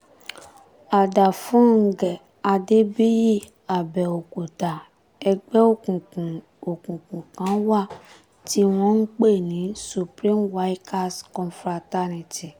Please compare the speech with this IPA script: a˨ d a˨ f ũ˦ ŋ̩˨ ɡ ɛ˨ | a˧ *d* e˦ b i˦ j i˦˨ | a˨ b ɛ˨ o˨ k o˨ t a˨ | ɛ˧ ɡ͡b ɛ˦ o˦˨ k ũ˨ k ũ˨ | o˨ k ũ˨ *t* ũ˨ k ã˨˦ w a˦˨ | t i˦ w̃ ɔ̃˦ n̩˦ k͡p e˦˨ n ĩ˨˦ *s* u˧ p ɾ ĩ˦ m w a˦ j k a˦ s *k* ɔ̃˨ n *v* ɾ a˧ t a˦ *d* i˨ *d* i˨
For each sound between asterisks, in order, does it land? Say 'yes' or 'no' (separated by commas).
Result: yes, no, yes, yes, no, no, no